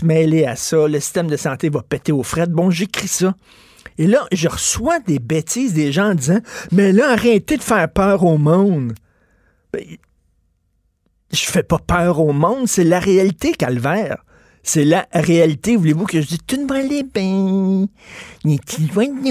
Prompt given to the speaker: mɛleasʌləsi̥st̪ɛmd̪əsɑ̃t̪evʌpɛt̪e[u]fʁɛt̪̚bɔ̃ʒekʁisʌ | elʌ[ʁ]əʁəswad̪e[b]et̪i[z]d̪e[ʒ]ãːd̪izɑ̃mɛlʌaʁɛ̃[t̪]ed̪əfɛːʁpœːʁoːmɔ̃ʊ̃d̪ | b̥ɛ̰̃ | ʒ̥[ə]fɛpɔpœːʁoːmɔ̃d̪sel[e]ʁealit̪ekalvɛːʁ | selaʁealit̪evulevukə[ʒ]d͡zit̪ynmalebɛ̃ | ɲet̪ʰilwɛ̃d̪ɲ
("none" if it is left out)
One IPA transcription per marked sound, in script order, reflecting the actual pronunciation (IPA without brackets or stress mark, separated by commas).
o, ʒ, b, z, ʒ, t̪, ə, a, ʒ